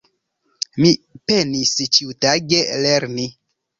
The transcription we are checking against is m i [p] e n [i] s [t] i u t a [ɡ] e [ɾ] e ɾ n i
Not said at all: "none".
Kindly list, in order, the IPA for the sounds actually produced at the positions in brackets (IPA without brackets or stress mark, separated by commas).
p, i, t͡ʃ, ɡ, l